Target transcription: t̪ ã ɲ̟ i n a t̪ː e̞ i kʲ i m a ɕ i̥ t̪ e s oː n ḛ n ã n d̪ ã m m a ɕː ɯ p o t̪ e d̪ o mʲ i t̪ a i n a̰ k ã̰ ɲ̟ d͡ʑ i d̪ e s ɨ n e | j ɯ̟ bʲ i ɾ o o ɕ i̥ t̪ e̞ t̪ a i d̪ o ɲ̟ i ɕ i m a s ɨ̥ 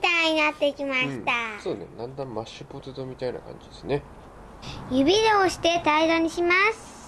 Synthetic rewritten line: t̪ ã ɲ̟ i n a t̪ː e̞ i kʲ i m a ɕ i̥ t̪ a s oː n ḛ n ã n d̪ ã m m a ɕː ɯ p o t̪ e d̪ o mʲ i t̪ a i n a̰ k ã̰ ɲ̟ d͡ʑ i d̪ e s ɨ n e | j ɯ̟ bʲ i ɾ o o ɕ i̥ t̪ e̞ t̪ a i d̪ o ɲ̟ i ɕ i m a s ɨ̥

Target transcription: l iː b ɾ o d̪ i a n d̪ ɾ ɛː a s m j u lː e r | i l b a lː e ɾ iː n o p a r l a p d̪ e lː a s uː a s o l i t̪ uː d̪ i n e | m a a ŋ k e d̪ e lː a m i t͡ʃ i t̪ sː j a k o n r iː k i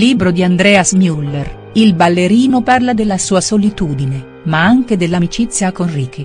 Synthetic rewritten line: l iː b ɾ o d̪ i a n d̪ ɾ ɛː a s m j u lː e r | i l b a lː e ɾ iː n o p a r l a d̪ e lː a s uː a s o l i t̪ uː d̪ i n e | m a a ŋ k e d̪ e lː a m i t͡ʃ i t̪ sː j a k o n r iː k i

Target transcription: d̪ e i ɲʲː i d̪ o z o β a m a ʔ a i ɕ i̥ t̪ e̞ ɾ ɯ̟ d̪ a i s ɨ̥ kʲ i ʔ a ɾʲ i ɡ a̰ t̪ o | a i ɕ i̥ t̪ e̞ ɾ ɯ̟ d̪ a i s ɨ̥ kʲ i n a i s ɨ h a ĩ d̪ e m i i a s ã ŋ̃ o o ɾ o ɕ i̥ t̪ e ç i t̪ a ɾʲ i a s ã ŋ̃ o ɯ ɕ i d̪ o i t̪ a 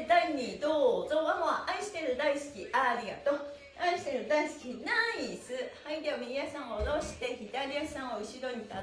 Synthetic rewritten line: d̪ a i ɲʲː i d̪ o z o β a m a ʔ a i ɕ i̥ t̪ e̞ ɾ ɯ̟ d̪ a i s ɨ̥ kʲ i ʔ a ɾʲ i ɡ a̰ t̪ o | a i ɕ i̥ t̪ e̞ ɾ ɯ̟ d̪ a i s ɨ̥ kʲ i n a i s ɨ h a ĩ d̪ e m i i a s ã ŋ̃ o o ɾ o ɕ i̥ t̪ e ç i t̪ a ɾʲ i a s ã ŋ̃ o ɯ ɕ i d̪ o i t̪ a

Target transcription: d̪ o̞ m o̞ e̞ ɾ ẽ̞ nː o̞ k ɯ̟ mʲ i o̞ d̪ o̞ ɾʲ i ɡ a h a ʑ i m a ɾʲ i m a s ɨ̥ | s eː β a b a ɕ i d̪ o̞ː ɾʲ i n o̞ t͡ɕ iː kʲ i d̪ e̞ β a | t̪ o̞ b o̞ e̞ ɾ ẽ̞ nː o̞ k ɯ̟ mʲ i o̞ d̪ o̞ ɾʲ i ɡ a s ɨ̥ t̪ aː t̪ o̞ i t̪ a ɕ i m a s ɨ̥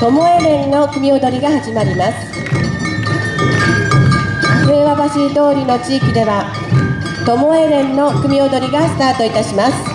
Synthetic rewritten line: t̪ o̞ m o̞ e̞ ɾ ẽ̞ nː o̞ k ɯ̟ mʲ i o̞ d̪ o̞ ɾʲ i ɡ a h a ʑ i m a ɾʲ i m a s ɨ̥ | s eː β a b a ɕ i d̪ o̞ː ɾʲ i n o̞ t͡ɕ iː kʲ i d̪ e̞ β a | t̪ o̞ m o̞ e̞ ɾ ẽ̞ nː o̞ k ɯ̟ mʲ i o̞ d̪ o̞ ɾʲ i ɡ a s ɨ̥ t̪ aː t̪ o̞ i t̪ a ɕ i m a s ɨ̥

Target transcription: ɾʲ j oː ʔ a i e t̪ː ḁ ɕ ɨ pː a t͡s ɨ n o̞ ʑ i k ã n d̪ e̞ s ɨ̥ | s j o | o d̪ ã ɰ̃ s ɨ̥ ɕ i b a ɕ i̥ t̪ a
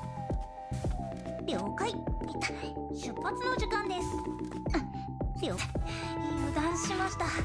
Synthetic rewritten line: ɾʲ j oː k a i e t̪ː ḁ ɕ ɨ pː a t͡s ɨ n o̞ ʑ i k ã n d̪ e̞ s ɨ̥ | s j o | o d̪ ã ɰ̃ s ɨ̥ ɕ i m a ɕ i̥ t̪ a

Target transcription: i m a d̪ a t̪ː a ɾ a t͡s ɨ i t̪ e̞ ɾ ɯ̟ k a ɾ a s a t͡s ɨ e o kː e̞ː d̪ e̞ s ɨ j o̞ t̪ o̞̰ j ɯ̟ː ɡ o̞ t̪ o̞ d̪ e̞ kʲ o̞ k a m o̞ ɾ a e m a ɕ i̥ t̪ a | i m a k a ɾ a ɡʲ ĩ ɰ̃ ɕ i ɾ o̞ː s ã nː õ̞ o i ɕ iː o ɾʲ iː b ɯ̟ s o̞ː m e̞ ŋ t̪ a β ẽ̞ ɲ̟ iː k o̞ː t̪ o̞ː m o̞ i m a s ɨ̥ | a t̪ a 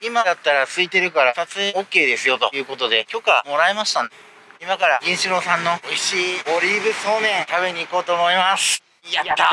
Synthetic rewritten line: i m a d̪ a t̪ː a ɾ a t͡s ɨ i t̪ e̞ ɾ ɯ̟ k a ɾ a s a t͡s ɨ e o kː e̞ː d̪ e̞ s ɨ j o̞ t̪ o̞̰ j ɯ̟ː k o̞ t̪ o̞ d̪ e̞ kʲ o̞ k a m o̞ ɾ a e m a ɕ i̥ t̪ a | i m a k a ɾ a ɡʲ ĩ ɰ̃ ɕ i ɾ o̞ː s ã nː o̞ o i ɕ iː o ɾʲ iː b ɯ̟ s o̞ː m ẽ̞ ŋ t̪ a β e̞ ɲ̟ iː k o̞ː t̪ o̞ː m o̞ i m a s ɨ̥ | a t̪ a

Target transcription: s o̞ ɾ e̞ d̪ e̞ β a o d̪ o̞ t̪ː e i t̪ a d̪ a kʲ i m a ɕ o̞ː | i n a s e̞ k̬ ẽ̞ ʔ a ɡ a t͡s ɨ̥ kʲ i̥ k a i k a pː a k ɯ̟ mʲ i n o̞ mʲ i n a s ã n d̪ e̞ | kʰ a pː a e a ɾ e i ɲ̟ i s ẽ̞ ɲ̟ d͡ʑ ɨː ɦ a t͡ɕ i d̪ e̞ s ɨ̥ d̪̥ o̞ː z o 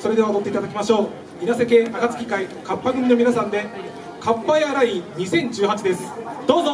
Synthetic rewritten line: s o̞ ɾ e̞ d̪ e̞ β a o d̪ o̞ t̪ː e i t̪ a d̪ a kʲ i m a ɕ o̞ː | i n a s e̞ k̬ e̞ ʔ a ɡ a t͡s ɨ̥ kʲ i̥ k a i k a pː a ɡ ɯ̟ mʲ i n o̞ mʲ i n a s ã n d̪ e̞ | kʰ a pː a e a ɾ a i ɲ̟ i s ẽ̞ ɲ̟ d͡ʑ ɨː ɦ a t͡ɕ i d̪ e̞ s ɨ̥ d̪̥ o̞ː z o

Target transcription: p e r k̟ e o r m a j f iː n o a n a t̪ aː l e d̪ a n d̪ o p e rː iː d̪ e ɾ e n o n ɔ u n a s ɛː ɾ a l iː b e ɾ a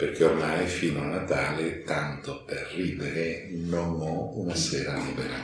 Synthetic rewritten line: p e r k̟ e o r m a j f iː n o a n a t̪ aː l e t̪ a n t̪ o p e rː iː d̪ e ɾ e n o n ɔ u n a s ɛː ɾ a l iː b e ɾ a

